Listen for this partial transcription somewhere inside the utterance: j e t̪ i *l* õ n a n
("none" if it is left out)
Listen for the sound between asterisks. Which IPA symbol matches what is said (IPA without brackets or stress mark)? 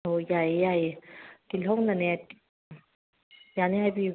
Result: l